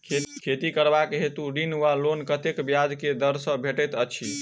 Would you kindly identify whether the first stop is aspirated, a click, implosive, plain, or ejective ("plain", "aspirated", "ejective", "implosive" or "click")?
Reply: aspirated